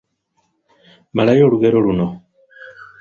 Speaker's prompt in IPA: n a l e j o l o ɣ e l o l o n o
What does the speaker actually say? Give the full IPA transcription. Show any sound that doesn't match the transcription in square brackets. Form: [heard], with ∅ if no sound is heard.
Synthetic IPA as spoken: [m] a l [a] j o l [u] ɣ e [ɾ] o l [u] n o